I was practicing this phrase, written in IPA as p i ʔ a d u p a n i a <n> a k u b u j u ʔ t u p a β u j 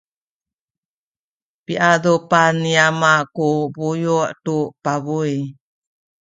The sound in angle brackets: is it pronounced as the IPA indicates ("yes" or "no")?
no